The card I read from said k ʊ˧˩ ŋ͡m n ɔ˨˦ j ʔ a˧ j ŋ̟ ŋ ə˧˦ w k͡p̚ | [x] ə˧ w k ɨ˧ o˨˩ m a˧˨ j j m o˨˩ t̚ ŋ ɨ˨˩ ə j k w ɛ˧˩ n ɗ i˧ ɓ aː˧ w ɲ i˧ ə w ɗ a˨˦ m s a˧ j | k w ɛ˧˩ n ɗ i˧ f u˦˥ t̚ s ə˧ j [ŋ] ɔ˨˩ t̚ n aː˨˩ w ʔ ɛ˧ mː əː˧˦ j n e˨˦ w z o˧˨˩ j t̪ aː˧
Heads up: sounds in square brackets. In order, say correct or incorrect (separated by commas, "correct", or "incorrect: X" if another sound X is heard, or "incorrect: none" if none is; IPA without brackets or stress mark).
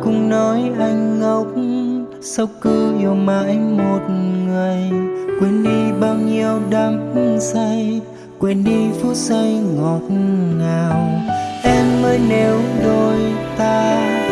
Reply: incorrect: s, correct